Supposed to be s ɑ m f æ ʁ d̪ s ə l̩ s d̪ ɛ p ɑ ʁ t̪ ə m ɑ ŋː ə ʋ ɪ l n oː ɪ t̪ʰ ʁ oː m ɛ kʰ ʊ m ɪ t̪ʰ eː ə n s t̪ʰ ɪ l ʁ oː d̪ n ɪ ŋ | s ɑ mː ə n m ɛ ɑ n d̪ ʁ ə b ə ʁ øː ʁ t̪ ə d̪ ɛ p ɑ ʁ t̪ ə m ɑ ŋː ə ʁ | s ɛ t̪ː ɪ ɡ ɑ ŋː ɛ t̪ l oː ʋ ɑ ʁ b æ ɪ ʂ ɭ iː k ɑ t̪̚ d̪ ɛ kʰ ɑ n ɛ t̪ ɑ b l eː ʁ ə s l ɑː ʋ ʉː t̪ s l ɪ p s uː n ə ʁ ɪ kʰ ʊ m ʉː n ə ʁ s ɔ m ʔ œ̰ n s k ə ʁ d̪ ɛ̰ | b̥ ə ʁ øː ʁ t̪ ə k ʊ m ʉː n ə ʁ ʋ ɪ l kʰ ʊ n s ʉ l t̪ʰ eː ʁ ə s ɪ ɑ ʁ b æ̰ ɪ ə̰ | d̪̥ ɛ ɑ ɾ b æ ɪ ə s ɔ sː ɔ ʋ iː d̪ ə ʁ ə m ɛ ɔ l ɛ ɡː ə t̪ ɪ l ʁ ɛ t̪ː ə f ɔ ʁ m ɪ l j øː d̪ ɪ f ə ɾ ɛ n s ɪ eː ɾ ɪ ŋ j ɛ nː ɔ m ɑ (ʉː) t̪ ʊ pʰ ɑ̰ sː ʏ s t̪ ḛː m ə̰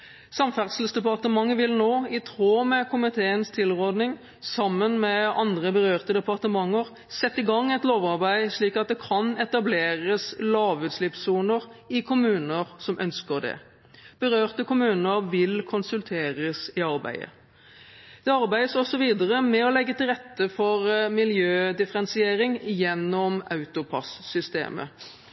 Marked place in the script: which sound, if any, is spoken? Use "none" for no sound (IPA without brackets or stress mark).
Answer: ʉ